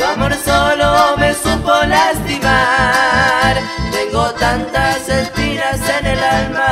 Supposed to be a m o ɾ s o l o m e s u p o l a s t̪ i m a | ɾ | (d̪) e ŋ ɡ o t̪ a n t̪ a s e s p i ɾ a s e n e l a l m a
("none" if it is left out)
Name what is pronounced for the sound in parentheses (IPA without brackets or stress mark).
t̪